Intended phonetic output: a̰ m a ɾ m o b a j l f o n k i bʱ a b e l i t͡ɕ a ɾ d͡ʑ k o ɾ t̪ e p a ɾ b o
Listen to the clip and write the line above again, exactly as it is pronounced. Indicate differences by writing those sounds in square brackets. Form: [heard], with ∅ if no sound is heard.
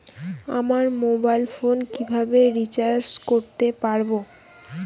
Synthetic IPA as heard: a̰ m a ɾ m o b a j l f o n k i bʱ a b e [ɾ] i t͡ɕ a ɾ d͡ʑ k o ɾ t̪ e p a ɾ b o